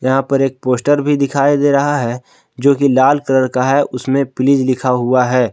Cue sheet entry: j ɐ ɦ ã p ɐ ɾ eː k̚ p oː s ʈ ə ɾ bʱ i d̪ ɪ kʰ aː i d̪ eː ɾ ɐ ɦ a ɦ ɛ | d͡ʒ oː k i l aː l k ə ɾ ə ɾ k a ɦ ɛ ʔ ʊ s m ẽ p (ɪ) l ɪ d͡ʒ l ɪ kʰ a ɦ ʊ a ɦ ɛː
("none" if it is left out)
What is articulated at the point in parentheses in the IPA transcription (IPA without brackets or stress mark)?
ɪ